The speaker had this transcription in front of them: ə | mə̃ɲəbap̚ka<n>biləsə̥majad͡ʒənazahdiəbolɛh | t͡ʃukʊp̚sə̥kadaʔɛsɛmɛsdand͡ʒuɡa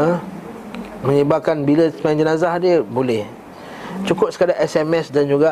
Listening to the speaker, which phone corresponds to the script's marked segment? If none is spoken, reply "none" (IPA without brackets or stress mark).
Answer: n